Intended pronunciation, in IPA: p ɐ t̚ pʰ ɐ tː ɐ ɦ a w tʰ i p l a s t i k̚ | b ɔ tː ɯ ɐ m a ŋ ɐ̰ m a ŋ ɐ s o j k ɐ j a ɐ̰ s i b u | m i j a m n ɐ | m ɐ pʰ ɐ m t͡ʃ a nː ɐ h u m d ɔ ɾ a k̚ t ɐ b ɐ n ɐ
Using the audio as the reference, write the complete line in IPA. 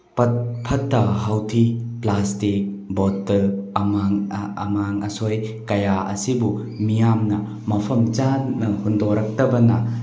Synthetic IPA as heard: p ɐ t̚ pʰ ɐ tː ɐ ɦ a w tʰ i p l a s t i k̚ | b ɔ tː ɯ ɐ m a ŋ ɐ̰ m a ŋ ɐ s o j k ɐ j a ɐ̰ s i b u | m i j a m n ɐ | m ɐ pʰ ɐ m t͡ʃ a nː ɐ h u n d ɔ ɾ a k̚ t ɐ b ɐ n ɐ

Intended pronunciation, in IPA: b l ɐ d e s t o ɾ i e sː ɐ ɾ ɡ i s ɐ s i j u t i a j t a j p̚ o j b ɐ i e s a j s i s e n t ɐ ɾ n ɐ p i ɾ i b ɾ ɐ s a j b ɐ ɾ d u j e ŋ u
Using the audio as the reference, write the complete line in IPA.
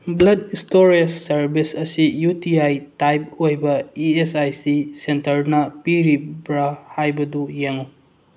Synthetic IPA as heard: b l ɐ d i s t o ɾ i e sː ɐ ɾ b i s ɐ s i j u t i a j t a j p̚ o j b ɐ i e s a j s i s e n t ɐ ɾ n ɐ p i ɾ i b ɾ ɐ h a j b ɐ d u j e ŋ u

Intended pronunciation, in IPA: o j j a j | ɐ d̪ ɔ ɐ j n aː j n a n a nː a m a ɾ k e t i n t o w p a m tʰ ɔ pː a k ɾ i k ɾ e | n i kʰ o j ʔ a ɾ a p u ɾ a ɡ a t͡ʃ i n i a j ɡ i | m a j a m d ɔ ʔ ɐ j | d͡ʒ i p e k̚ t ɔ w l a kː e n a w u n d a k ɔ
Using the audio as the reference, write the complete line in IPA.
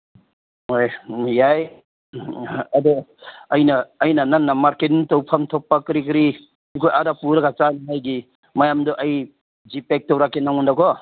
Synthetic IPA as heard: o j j a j | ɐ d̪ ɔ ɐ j n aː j n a n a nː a m a ɾ k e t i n t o w pʰ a m tʰ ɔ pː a k ɾ i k ɾ i | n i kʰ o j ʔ a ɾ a p u ɾ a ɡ a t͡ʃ a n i a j ɡ i | m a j a m d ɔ ʔ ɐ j | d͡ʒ i p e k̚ t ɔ w ɾ a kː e n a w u n d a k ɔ

